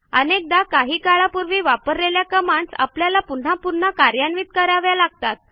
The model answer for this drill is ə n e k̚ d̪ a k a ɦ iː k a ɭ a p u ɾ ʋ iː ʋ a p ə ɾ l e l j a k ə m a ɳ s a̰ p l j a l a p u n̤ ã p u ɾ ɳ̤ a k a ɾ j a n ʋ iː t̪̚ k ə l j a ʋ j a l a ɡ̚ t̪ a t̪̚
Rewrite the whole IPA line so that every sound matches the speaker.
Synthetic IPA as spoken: ə n e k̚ d̪ a k a ɦ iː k a ɭ a p u ɾ ʋ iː ʋ a p ə ɾ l e l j a k ə m a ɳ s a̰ p l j a l a p u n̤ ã p u ɾ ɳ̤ a k a ɾ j a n ʋ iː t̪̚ k ə ɾ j a ʋ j a l a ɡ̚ t̪ a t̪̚